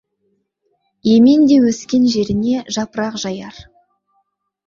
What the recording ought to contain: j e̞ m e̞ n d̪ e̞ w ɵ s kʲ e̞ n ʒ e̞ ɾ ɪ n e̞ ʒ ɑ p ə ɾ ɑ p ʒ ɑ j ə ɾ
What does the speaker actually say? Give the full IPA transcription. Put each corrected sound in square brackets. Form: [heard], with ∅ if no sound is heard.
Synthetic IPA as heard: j e̞ m e̞ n d̪ e̞ w ɵ s kʲ e̞ n ʒ e̞ ɾ ɪ n e̞ ʒ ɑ p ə ɾ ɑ [q] ʒ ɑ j [ɑ] ɾ

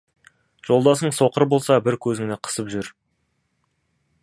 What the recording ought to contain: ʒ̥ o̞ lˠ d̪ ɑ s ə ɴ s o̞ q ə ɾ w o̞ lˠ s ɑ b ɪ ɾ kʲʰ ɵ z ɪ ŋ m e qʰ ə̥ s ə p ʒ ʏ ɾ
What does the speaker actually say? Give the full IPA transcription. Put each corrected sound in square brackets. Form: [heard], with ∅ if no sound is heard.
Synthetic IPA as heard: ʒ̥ o̞ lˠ d̪ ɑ s ə ɴ s o̞ q ə ɾ [b] o̞ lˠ s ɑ b ɪ ɾ kʲʰ ɵ z ɪ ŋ [n] e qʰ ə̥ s ə p ʒ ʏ ɾ

